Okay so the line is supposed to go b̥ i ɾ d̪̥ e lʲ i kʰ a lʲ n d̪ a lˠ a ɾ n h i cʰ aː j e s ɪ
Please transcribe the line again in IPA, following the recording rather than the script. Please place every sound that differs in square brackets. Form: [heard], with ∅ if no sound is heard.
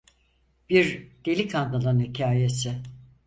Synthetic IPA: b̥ i ɾ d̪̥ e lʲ i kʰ a [∅] n d̪ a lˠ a [∅] n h i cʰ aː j e s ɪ